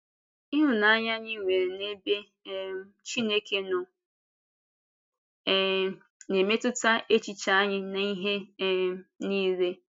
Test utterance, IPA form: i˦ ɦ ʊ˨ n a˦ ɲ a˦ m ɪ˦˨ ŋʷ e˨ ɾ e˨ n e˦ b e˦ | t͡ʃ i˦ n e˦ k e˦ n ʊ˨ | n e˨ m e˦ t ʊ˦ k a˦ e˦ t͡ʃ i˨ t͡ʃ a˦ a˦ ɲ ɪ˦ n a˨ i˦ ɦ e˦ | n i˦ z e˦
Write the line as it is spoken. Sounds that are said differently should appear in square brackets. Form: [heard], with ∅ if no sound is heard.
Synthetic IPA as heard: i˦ ɦ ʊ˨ n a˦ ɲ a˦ [ɲ] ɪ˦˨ ŋʷ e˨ ɾ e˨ n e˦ b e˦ | t͡ʃ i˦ n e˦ k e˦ n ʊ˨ | n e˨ m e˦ t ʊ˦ [t] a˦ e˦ t͡ʃ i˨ t͡ʃ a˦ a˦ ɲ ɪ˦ n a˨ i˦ ɦ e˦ | n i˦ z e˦

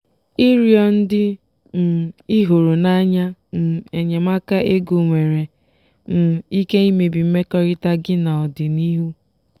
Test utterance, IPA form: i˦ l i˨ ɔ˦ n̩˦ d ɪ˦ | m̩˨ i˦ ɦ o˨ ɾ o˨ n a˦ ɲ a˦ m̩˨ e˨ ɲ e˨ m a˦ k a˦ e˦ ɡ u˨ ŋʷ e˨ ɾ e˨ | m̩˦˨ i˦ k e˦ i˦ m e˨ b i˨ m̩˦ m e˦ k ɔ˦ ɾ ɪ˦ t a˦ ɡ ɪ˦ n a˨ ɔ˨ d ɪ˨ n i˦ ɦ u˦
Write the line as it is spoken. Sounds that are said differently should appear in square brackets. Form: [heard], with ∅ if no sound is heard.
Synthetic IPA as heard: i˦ [ɾ] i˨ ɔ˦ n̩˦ d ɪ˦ | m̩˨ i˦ ɦ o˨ ɾ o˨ n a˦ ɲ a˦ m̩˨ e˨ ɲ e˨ m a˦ k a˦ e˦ ɡ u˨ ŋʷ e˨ ɾ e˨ | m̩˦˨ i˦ k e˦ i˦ m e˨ b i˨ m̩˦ m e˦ k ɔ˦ ɾ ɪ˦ t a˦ ɡ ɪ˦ n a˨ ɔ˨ d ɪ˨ n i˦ ɦ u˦

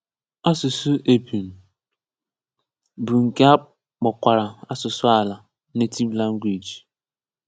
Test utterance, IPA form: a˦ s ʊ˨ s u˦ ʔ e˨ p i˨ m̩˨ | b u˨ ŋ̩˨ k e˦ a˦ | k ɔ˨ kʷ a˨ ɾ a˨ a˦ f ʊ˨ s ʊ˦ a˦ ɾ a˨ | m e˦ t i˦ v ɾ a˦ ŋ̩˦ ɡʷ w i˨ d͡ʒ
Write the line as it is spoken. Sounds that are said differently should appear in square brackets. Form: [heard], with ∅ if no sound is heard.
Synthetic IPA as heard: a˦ s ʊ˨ s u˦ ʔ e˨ p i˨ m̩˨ | b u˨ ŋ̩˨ k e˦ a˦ | [k͡p] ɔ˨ kʷ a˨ ɾ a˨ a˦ [s] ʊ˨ s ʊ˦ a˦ [l] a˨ | [n] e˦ t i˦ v [l] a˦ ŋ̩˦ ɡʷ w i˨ d͡ʒ

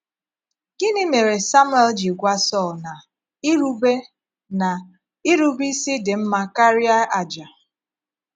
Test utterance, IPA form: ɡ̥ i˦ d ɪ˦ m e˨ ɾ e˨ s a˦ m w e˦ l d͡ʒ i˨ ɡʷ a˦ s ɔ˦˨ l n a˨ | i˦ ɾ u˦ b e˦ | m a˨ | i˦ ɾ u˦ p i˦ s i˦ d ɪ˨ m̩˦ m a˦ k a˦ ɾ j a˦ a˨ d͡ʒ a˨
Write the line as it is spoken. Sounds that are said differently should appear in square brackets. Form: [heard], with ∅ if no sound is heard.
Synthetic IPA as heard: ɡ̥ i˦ [n] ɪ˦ m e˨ ɾ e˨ s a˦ m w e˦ l d͡ʒ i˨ ɡʷ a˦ s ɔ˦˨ l n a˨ | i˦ ɾ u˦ b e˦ | [n] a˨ | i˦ ɾ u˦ [b] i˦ s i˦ d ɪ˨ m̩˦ m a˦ k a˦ ɾ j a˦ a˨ d͡ʒ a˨

